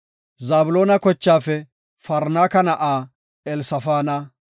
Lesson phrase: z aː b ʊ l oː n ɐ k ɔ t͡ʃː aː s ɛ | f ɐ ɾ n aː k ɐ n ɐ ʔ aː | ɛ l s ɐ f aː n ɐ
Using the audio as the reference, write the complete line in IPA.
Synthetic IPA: z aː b ʊ l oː n ɐ k ɔ t͡ʃː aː f ɛ | f ɐ ɾ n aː k ɐ n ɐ ʔ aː | ɛ l s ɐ f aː n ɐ